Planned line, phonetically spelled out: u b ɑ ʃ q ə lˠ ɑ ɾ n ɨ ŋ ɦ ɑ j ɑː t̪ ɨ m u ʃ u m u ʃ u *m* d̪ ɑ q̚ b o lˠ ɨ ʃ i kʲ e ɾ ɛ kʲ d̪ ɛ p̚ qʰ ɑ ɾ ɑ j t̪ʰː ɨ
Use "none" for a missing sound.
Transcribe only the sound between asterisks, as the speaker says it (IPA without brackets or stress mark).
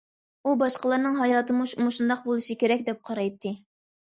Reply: n